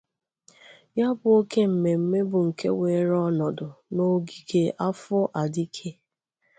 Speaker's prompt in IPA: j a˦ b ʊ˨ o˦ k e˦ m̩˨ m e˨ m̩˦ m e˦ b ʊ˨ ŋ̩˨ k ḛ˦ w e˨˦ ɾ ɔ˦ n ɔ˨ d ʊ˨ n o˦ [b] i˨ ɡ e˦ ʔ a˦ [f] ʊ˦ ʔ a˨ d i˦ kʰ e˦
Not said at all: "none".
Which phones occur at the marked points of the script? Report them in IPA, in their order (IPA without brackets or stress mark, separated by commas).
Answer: ɡ, f